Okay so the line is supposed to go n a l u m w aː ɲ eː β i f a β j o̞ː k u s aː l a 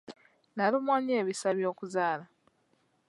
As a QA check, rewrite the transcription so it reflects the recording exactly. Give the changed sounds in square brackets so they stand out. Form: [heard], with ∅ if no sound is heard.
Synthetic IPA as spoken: n a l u m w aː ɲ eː β i [s] a β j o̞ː k u [z] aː l a